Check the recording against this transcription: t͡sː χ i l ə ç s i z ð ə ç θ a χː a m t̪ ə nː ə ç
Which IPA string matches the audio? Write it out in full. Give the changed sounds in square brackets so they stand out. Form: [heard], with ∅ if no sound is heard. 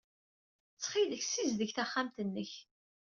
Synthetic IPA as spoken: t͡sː χ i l ə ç s i z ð ə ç θ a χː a m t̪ ə nː ə ç